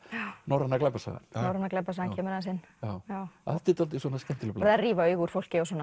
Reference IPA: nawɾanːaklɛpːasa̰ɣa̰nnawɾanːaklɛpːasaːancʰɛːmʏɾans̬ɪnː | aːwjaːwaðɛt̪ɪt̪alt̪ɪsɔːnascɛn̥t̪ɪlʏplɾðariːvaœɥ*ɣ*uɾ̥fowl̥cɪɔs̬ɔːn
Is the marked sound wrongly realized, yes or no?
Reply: no